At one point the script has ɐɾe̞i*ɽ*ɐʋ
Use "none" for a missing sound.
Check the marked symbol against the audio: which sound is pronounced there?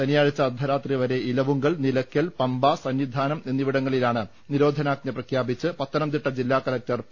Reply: l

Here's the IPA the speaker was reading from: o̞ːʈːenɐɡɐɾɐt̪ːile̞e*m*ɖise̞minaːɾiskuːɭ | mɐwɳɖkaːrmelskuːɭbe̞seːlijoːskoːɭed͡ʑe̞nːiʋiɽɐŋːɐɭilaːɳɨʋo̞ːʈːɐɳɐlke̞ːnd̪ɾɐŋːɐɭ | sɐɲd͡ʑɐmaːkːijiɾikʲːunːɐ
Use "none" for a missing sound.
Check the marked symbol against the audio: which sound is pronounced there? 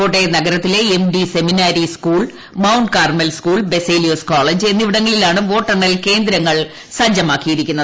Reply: m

